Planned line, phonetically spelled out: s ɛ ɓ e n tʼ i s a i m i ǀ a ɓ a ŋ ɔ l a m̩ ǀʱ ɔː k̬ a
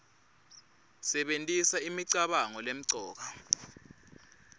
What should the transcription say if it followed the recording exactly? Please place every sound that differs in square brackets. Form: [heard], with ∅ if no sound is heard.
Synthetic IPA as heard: s ɛ ɓ e n tʼ i s a i m i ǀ a ɓ a ŋ ɔ l [e] m̩ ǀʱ ɔː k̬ a

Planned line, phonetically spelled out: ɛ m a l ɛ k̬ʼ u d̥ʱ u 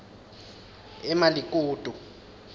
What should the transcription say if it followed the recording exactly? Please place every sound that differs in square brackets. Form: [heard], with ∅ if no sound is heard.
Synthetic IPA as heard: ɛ m a l [i] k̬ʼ [uː] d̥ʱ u

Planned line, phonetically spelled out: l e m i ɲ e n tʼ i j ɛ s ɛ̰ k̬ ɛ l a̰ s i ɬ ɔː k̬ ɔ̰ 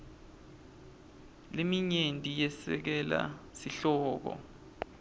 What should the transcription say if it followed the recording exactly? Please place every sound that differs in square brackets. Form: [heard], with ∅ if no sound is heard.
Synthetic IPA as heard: l e m i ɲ e n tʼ i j ɛ s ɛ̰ k̬ ɛ l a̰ s i ɬ ɔː k̬ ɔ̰

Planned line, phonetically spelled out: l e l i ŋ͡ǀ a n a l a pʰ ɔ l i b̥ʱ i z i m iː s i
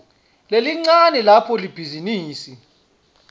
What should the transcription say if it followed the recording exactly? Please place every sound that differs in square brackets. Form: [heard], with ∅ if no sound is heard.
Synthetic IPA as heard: l e l i ŋ͡ǀ a n [ɛ] l a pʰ ɔ l i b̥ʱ i z i [n] iː s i

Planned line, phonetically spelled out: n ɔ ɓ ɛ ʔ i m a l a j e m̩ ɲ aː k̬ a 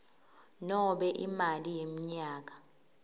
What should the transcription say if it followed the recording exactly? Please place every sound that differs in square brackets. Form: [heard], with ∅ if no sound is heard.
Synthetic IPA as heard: n ɔ ɓ ɛ ʔ i m a l [i] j e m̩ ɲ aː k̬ a

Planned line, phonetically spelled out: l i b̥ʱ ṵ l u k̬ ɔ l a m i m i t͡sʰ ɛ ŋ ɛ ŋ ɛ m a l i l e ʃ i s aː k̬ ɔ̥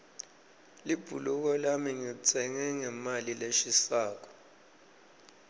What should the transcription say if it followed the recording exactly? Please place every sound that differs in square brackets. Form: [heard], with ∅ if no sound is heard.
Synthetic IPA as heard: l i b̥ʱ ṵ l u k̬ ɔ l a m i [ŋ] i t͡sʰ ɛ ŋ ɛ ŋ ɛ m a l i l e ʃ i s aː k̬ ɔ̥

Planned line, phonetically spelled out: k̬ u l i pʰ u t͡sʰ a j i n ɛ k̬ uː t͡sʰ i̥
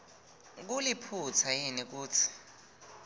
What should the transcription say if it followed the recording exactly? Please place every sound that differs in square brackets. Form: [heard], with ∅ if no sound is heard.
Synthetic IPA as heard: k̬ u l i pʰ u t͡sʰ a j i n [i] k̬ uː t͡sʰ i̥

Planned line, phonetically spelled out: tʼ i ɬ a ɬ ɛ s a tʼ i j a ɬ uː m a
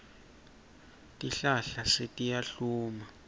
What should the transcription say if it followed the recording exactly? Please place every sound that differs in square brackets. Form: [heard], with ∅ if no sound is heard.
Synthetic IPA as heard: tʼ i ɬ a ɬ [a] s [e] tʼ i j a ɬ uː m a

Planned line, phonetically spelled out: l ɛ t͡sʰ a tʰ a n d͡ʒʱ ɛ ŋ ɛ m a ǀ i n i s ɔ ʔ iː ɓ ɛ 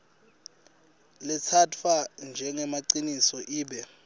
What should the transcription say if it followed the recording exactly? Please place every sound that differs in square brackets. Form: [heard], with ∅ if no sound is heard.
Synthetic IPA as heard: l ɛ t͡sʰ a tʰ a n d͡ʒʱ ɛ ŋ ɛ m a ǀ i n i s ɔ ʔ iː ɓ ɛ

